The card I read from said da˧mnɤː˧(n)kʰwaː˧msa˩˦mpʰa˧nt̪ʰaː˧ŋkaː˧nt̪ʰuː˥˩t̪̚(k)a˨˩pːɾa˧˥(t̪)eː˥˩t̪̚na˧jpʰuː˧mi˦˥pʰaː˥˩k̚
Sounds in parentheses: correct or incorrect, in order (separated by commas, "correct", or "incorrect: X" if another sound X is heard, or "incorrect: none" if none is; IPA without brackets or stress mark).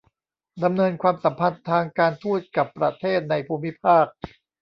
correct, correct, incorrect: t̪ʰ